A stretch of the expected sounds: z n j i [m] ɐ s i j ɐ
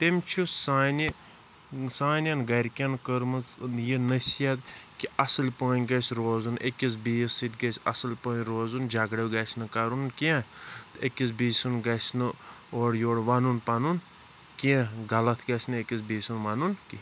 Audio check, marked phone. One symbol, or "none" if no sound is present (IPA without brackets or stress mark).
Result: n